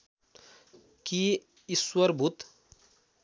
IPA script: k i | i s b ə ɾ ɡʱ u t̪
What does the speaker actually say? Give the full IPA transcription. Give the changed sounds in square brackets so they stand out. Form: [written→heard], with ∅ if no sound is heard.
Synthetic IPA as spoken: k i | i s [b→w] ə ɾ [ɡʱ→bʱ] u t̪